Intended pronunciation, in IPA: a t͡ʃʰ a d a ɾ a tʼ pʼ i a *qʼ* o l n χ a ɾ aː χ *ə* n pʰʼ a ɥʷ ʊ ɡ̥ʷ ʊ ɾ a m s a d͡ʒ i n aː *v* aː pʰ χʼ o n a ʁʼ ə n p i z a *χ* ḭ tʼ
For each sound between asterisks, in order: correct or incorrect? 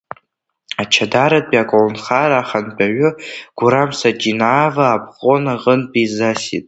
incorrect: kʼ, incorrect: a, correct, incorrect: s

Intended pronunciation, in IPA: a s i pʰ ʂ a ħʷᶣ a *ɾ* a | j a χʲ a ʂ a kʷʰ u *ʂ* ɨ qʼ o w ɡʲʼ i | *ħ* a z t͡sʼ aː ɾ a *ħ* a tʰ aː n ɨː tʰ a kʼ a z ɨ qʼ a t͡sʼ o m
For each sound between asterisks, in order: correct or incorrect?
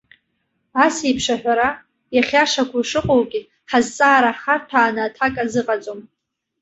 correct, correct, correct, incorrect: χ

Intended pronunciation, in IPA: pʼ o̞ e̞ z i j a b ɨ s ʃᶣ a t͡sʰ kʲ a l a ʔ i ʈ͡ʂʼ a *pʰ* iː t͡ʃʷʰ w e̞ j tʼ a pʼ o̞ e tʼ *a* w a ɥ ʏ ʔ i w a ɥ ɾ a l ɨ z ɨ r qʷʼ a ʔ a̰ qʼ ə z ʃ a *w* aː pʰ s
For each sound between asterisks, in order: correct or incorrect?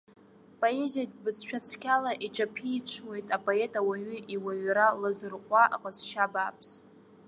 correct, correct, incorrect: b

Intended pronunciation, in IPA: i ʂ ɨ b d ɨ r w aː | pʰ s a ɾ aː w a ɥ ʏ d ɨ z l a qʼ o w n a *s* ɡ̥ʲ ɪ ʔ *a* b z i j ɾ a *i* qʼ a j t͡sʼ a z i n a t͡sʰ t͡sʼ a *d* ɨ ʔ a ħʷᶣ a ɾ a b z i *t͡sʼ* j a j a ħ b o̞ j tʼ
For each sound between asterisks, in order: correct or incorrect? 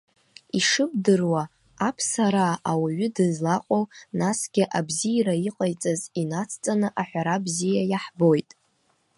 correct, correct, correct, incorrect: n, incorrect: none

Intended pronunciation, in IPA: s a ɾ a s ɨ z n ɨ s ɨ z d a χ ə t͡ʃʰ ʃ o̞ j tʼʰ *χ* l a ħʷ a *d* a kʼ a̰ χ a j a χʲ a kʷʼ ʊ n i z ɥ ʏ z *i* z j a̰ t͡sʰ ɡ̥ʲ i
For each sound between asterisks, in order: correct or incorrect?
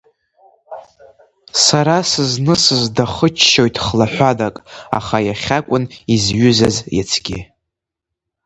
correct, correct, incorrect: a

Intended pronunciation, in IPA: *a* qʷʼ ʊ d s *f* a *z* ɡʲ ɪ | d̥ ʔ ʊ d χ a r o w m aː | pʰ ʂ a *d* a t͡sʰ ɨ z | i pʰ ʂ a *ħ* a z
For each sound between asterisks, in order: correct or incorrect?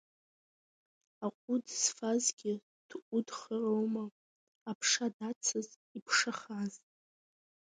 correct, correct, correct, correct, incorrect: χ

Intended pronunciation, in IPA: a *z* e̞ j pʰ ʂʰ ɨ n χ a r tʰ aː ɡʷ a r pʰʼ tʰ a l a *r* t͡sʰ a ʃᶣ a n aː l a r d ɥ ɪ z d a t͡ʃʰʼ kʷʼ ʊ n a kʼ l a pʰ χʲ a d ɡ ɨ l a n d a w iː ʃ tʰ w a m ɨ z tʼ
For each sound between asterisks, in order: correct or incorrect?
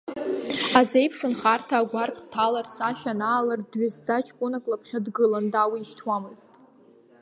correct, correct

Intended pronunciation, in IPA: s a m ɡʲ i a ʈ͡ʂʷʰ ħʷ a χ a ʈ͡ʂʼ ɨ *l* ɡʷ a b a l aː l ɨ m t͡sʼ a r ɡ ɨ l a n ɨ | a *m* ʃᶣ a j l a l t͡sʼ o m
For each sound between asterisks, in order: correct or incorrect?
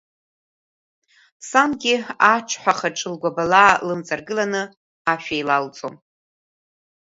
correct, incorrect: none

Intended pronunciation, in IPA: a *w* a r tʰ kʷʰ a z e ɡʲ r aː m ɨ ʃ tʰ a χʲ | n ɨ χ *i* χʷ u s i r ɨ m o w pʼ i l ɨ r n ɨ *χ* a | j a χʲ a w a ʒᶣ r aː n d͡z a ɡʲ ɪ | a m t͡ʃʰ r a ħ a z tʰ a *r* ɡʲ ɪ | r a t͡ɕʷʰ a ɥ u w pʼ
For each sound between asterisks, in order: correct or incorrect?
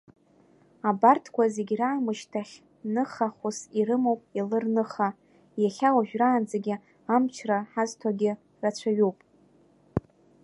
incorrect: b, incorrect: a, correct, incorrect: none

